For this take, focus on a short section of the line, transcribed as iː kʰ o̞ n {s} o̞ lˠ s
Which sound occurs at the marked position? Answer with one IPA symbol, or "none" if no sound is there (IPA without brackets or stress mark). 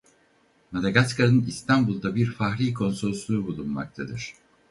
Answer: s